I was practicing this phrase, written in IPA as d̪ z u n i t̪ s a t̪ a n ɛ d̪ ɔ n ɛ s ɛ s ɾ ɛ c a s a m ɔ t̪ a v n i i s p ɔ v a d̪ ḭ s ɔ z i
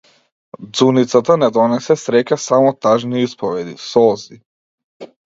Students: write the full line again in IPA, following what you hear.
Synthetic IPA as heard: d̪ z u n i t̪ s a t̪ a n ɛ d̪ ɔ n ɛ s ɛ s ɾ ɛ c a s a m ɔ t̪ a ʒ n i i s p ɔ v ɛ d̪ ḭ s ɔ z i